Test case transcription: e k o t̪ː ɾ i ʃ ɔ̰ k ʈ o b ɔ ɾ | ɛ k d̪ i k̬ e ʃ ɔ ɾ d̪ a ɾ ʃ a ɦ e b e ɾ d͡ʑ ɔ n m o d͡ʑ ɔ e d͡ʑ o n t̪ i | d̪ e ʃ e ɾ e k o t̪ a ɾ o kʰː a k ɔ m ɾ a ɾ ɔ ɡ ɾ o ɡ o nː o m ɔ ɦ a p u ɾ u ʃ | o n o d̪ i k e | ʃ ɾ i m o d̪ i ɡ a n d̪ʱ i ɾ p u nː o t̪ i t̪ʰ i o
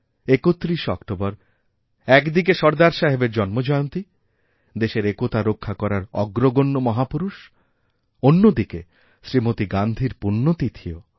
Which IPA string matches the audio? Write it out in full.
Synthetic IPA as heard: e k o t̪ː ɾ i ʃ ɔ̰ k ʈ o b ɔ ɾ | ɛ k d̪ i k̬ e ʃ ɔ ɾ d̪ a ɾ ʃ a ɦ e b e ɾ d͡ʑ ɔ n m o d͡ʑ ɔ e o n t̪ i | d̪ e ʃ e ɾ e k o t̪ a ɾ o kʰː a k ɔ ɾ a ɾ ɔ ɡ ɾ o ɡ o nː o m ɔ ɦ a p u ɾ u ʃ | o nː o d̪ i k e | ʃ ɾ i m o t̪ i ɡ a n d̪ʱ i ɾ p u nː o t̪ i t̪ʰ i o